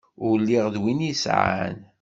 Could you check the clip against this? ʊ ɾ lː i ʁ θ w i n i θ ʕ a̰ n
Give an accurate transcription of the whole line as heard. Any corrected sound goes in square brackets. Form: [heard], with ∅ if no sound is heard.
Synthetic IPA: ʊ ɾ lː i ʁ [ð] w i n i [s] ʕ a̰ n